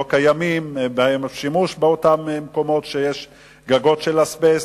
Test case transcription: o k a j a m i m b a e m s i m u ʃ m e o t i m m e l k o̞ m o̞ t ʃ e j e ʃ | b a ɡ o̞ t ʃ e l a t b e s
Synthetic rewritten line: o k a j a m i m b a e m ʃ i m u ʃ b e o t a m m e k o̞ m o̞ t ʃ e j e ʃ | ɡ a ɡ o̞ t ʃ e l a s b e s